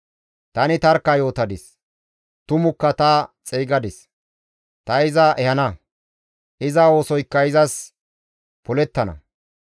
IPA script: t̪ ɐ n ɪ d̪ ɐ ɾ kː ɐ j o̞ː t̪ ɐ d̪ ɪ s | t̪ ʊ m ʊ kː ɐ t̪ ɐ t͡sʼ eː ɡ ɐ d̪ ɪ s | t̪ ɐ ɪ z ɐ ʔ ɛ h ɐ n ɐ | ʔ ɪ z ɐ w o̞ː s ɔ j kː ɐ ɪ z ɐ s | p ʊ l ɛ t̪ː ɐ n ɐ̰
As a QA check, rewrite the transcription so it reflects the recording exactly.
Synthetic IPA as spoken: t̪ ɐ n ɪ t̪ ɐ ɾ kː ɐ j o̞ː t̪ ɐ d̪ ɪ s | t̪ ʊ m ʊ kː ɐ t̪ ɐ t͡sʼ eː ɡ ɐ d̪ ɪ s | t̪ ɐ ɪ z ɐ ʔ ɛ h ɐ n ɐ | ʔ ɪ z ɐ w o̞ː s ɔ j kː ɐ ɪ z ɐ s | p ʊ l ɛ t̪ː ɐ n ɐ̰

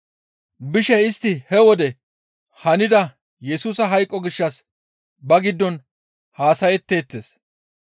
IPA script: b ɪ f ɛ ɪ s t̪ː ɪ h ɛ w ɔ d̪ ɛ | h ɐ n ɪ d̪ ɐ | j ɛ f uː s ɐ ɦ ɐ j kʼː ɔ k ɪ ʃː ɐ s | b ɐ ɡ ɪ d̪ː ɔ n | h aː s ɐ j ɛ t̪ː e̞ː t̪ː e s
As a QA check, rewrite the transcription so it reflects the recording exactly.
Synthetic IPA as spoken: b ɪ ʃ ɛ ɪ s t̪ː ɪ h ɛ w ɔ d̪ ɛ | h ɐ n ɪ d̪ ɐ | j ɛ s uː s ɐ ɦ ɐ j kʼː ɔ ɡ ɪ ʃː ɐ s | b ɐ ɡ ɪ d̪ː ɔ n | h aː s ɐ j ɛ t̪ː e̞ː t̪ː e s

